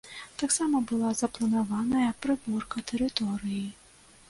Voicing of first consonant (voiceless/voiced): voiceless